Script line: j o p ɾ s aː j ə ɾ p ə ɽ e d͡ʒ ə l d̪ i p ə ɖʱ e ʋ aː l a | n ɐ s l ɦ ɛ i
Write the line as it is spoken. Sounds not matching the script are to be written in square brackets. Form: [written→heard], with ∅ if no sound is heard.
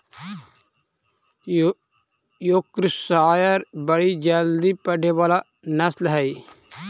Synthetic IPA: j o [p→k] ɾ s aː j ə ɾ [p→b] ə ɽ [e→i] d͡ʒ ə l d̪ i p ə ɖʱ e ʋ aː l a | n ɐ s l ɦ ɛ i